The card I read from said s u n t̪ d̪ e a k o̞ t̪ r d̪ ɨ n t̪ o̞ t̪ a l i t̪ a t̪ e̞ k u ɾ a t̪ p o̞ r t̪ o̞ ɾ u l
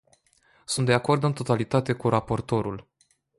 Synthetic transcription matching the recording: s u n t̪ d̪ e a k o̞ r d̪ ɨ n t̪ o̞ t̪ a l i t̪ a t̪ e̞ k u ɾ a p o̞ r t̪ o̞ ɾ u l